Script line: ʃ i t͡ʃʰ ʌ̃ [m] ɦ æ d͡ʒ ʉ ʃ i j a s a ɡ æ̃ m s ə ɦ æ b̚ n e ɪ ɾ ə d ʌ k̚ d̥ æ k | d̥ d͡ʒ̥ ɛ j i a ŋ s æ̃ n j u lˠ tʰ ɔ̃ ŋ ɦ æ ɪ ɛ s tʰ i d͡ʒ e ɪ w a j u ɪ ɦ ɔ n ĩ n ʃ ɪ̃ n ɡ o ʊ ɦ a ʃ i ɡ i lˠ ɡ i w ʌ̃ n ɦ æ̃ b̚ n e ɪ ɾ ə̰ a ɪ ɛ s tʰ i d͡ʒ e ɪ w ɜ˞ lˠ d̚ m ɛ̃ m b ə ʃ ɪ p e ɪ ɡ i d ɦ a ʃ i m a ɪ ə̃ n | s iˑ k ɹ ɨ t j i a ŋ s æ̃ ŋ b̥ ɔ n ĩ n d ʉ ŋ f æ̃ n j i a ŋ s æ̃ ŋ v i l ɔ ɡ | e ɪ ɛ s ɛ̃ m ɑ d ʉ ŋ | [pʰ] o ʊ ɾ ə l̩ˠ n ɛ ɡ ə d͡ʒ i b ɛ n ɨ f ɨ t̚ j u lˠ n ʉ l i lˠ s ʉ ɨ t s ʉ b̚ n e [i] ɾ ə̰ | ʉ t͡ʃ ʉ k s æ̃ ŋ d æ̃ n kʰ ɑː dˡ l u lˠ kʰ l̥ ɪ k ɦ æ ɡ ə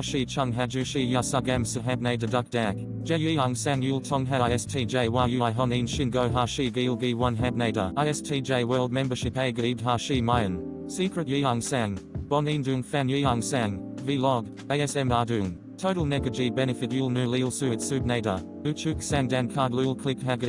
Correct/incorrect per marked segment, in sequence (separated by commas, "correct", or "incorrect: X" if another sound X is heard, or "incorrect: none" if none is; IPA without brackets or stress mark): incorrect: ŋ, incorrect: tʰ, incorrect: ɪ